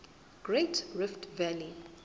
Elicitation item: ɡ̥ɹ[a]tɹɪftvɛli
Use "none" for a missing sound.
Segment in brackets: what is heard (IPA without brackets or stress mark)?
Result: e